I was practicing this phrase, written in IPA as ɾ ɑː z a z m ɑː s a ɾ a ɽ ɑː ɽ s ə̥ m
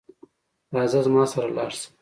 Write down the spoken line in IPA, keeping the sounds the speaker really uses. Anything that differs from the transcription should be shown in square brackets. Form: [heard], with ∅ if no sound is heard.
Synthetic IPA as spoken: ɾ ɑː z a z m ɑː s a ɾ a [l] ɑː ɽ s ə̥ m

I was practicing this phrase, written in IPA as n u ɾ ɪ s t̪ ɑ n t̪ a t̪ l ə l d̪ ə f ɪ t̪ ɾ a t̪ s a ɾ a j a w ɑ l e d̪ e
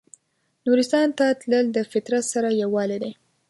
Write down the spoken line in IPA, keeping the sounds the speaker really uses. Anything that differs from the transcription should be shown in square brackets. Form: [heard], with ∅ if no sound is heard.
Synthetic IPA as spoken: n u ɾ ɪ s t̪ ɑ n t̪ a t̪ l ə l d̪ ə f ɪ t̪ ɾ a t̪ s a ɾ a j a w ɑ l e d̪ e

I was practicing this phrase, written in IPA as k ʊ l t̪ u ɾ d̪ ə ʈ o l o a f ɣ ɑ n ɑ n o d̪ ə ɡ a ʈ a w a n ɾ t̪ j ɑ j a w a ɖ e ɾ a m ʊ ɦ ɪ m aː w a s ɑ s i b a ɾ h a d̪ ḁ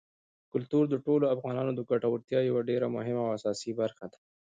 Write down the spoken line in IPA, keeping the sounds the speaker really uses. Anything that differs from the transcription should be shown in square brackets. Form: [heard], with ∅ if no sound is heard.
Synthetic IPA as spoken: k ʊ l t̪ u ɾ d̪ ə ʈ o l o a f ɣ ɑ n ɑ n o d̪ ə ɡ a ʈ a w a [∅] ɾ t̪ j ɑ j a w a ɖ e ɾ a m ʊ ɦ ɪ m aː w a s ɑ s i b a ɾ [x] a d̪ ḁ

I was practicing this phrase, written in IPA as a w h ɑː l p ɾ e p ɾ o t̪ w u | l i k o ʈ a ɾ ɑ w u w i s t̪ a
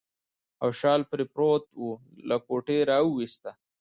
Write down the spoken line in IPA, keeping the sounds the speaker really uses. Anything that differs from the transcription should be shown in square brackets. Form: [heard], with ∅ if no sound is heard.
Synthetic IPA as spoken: a w [ʃ] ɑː l p ɾ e p ɾ o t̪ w u | l [a] k o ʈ [e] ɾ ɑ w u w i s t̪ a

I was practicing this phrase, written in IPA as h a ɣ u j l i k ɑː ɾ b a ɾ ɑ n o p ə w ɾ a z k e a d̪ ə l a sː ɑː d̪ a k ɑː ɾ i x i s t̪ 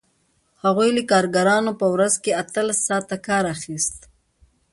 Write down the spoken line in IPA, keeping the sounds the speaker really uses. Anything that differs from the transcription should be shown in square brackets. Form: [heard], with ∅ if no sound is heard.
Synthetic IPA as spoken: h a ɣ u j l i k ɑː ɾ [ɡ] a ɾ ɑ n o p ə w ɾ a z k e a [t̪] ə l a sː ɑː [t̪] a k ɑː ɾ [a] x i s t̪

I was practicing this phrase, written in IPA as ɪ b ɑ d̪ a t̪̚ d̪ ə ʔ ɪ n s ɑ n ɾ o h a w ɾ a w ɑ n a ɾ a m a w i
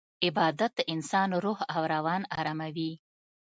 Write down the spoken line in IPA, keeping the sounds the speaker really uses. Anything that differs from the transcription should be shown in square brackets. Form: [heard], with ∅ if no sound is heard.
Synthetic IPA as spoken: ɪ b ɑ d̪ a t̪̚ d̪ ə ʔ ɪ n s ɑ n ɾ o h a w ɾ a w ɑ n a ɾ a m a w i

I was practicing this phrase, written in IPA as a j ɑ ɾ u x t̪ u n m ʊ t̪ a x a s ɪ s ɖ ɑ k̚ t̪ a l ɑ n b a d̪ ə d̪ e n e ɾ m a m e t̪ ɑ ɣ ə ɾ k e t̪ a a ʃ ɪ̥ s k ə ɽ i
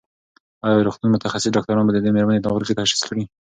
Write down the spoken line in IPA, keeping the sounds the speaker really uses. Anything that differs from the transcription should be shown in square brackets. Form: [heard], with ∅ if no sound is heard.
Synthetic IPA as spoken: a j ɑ ɾ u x t̪ u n m ʊ t̪ a x a s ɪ s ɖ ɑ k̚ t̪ a [ɾ] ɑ n b a d̪ ə d̪ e [m] e ɾ m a [n] e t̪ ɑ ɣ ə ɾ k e t̪ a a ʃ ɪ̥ s k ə ɽ i

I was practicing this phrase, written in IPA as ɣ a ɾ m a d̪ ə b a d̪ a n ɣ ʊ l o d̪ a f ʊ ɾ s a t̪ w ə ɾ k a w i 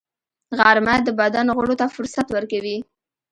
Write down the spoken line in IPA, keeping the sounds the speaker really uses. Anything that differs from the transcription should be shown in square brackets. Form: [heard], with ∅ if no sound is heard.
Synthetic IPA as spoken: ɣ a ɾ m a d̪ ə b a d̪ a n ɣ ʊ [ɽ] o [t̪] a f ʊ ɾ s a t̪ w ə ɾ k a w i

